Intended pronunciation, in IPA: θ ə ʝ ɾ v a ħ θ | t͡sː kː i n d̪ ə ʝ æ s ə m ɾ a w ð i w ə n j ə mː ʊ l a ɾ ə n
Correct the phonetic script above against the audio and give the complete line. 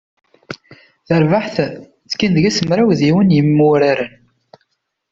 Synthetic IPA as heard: θ ə ɾ v a ħ θ | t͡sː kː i n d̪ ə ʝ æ s ə m ɾ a w ð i w ə n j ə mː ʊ ɾ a ɾ ə n